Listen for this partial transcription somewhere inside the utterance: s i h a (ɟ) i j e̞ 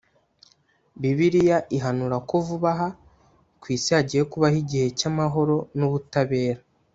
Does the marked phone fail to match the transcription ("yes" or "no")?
no